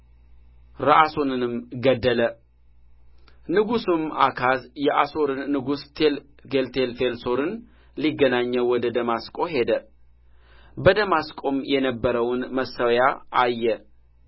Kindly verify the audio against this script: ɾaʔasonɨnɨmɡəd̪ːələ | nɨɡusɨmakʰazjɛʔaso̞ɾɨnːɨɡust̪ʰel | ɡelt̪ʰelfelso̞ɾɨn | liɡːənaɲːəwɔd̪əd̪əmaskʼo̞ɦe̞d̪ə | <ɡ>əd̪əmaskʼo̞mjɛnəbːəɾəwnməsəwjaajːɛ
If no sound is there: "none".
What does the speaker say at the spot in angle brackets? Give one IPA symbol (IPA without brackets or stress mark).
b